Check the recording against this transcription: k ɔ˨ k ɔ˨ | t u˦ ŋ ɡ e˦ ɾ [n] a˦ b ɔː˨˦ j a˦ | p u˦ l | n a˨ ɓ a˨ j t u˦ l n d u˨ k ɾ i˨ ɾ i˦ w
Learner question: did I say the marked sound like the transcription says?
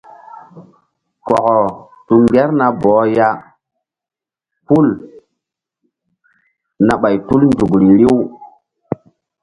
yes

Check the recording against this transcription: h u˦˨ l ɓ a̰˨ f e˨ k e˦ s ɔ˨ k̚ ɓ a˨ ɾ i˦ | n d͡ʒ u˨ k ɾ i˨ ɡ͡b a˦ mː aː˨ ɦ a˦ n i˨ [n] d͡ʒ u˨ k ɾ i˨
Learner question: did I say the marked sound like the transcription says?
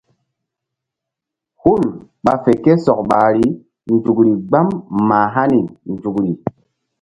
yes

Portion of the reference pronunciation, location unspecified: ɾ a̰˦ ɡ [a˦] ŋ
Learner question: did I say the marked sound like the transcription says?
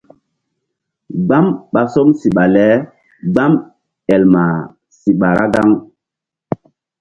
yes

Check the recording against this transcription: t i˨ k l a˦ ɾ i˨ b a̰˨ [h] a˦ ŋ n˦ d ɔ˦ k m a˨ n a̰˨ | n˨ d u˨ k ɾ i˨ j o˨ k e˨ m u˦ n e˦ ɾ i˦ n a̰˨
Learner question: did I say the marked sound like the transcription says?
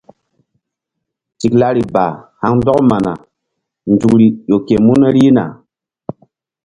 yes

